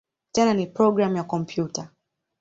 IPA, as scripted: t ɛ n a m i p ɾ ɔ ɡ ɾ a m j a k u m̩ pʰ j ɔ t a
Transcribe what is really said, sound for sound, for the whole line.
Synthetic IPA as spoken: t ɛ n a n i p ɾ ɔ ɡ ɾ a m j a k ɔ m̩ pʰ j u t a